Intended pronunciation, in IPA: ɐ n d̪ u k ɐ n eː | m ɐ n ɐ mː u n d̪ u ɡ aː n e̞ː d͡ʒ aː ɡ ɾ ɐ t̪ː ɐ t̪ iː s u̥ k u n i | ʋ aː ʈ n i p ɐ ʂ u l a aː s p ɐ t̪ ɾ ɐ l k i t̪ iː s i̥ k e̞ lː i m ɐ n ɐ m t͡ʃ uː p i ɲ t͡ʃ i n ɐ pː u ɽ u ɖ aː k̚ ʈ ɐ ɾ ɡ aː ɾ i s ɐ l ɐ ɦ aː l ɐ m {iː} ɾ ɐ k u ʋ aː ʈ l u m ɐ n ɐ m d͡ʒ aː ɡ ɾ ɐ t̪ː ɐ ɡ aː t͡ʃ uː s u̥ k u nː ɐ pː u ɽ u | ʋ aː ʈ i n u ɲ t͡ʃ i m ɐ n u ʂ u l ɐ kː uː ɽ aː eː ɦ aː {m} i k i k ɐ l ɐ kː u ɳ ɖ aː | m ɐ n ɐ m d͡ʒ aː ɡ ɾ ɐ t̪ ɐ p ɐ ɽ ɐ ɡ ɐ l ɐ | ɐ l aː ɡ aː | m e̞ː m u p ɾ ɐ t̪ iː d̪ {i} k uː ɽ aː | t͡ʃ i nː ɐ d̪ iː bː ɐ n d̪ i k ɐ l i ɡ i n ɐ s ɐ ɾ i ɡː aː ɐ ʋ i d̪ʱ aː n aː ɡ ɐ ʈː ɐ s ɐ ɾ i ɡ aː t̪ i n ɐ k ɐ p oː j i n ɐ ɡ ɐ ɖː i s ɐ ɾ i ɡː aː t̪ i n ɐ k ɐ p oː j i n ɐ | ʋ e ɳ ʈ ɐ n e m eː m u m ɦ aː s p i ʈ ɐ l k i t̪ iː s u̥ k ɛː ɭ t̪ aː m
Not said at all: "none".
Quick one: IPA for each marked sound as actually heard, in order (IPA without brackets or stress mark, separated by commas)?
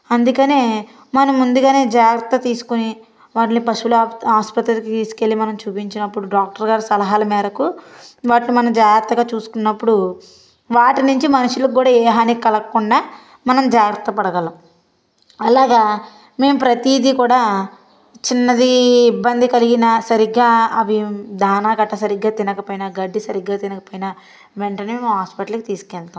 ɛː, n, i